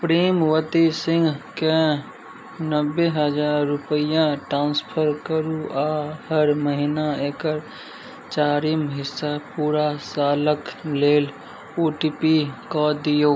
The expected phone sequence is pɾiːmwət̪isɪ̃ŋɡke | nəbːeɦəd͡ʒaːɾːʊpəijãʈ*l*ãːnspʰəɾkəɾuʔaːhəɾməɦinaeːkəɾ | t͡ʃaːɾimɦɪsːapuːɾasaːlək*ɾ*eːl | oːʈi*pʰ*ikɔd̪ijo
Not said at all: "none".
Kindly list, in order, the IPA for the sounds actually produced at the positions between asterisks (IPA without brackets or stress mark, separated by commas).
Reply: ɾ, l, p